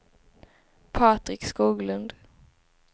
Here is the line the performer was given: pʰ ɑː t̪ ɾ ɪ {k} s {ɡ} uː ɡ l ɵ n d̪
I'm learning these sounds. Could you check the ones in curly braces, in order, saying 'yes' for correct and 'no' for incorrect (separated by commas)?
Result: yes, no